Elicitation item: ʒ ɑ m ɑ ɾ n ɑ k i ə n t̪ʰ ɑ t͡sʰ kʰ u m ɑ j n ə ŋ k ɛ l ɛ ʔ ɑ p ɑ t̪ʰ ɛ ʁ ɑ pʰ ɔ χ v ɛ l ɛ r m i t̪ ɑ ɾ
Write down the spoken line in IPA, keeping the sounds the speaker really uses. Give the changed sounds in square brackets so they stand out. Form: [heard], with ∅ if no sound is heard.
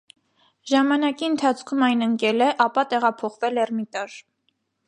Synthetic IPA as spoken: ʒ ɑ m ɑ [∅] n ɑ k i ə n t̪ʰ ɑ t͡sʰ kʰ u m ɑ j n ə ŋ k ɛ l ɛ ʔ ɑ p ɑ [t̪] ɛ ʁ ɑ pʰ ɔ χ v ɛ l ɛ r m i t̪ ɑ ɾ